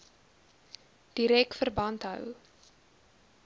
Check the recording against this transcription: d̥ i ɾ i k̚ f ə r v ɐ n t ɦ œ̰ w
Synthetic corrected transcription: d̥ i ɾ ɛ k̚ f ə r b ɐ n t ɦ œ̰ w